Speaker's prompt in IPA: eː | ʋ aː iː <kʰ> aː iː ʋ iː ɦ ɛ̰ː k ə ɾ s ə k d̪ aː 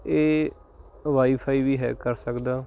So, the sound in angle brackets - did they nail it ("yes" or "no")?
no